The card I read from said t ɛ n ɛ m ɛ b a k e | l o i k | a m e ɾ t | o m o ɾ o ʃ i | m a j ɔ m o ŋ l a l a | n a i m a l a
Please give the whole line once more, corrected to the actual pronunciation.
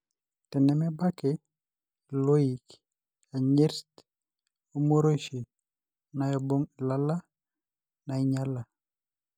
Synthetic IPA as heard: t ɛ n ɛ m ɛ b a k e | l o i k | a ɲ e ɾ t | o m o ɾ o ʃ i | n a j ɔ b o ŋ l a l a | n a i ɲ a l a